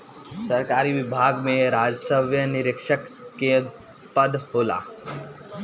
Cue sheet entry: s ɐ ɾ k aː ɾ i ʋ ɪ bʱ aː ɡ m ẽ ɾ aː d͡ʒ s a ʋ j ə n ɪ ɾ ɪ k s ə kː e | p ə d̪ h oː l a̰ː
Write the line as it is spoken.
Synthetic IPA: s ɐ ɾ k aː ɾ i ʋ ɪ bʱ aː ɡ m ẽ ɾ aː d͡ʒ s ə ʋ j ə n ɪ ɾ ɪ k ʃ ə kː e | p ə d̪ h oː l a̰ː